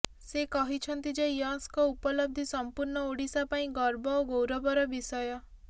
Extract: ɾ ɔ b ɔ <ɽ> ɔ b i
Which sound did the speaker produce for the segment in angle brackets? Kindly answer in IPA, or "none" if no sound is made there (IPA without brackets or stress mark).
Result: ɾ